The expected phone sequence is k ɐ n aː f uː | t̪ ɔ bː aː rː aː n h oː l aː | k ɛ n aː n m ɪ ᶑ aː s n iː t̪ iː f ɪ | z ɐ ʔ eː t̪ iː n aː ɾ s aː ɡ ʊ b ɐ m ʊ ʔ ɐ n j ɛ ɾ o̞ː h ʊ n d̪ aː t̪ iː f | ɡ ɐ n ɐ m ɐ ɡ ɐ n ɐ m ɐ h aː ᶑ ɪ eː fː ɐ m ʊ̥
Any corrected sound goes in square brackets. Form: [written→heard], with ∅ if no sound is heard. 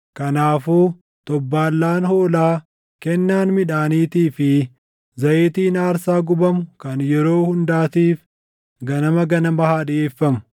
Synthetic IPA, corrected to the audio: k ɐ n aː f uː | t̪ ɔ bː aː [rː→lː] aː n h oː l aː | k ɛ [n→nː] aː n m ɪ ᶑ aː [s→∅] n iː t̪ iː f ɪ | z ɐ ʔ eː t̪ iː n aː ɾ s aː ɡ ʊ b ɐ m ʊ [ʔ→k] ɐ n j ɛ ɾ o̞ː h ʊ n d̪ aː t̪ iː f | ɡ ɐ n ɐ m ɐ ɡ ɐ n ɐ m ɐ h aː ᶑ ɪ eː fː ɐ m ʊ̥